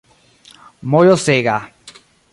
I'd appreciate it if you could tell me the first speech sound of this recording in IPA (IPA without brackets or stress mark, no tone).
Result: m